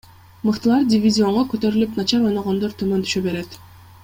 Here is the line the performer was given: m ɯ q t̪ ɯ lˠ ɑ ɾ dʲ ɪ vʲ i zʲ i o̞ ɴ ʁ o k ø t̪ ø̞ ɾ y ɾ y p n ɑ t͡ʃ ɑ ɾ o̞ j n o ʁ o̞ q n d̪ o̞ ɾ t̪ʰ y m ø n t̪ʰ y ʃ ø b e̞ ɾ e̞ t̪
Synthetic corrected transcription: m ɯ q t̪ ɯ lˠ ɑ ɾ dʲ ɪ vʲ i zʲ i o̞ ɴ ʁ o k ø t̪ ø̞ ɾ y l y p n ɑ t͡ʃ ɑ ɾ o̞ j n o ʁ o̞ n d̪ o̞ ɾ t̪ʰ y m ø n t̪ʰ y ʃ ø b e̞ ɾ e̞ t̪

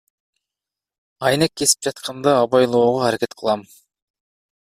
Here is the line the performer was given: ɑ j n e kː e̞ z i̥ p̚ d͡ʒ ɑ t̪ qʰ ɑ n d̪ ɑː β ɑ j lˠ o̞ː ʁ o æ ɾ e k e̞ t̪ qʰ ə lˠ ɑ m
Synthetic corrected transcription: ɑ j n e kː e̞ s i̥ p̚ d͡ʒ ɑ t̪ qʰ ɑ n d̪ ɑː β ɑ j lˠ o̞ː ʁ o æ ɾ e k e̞ t̪ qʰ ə lˠ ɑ m

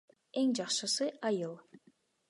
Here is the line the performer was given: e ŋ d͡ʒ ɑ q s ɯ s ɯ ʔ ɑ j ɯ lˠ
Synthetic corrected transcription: e ŋ d͡ʒ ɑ q ʃ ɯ s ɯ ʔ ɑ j ɯ lˠ

